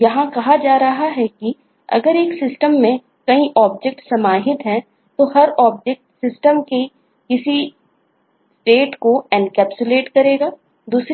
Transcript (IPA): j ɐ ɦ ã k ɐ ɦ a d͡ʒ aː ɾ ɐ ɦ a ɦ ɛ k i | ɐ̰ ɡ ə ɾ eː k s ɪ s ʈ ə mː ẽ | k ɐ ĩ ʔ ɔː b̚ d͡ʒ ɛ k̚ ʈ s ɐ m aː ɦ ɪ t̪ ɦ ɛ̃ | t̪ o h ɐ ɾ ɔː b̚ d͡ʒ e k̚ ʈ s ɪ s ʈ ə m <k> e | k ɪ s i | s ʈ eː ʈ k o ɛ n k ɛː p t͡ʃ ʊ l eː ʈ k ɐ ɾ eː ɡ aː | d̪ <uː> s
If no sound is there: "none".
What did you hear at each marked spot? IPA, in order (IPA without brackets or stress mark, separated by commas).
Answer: k, uː